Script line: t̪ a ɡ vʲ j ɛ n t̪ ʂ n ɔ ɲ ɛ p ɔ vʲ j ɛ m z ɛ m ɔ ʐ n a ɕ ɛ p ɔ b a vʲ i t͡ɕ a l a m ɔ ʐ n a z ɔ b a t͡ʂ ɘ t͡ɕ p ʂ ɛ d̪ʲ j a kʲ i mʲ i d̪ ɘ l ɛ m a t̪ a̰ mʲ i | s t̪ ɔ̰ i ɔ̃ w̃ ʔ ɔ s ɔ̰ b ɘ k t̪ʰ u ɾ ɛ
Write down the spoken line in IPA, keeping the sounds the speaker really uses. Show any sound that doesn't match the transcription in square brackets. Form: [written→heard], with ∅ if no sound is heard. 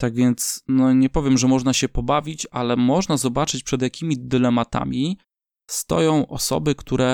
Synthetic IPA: t̪ a ɡ vʲ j ɛ n t̪ [ʂ→s] n ɔ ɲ ɛ p ɔ vʲ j ɛ m [z→ʐ] ɛ m ɔ ʐ n a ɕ ɛ p ɔ b a vʲ i t͡ɕ a l [a→ɛ] m ɔ ʐ n a z ɔ b a t͡ʂ ɘ t͡ɕ p ʂ ɛ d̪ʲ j a kʲ i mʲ i d̪ ɘ l ɛ m a t̪ a̰ mʲ i | s t̪ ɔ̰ [i→j] ɔ̃ w̃ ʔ ɔ s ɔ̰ b ɘ k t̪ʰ u ɾ ɛ